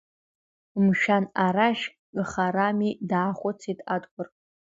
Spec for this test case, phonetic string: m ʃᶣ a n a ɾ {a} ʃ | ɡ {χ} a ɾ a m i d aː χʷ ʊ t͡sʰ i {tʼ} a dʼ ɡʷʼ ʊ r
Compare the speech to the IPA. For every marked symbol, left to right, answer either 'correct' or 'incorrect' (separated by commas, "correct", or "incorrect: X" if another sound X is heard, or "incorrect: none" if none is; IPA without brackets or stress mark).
correct, correct, correct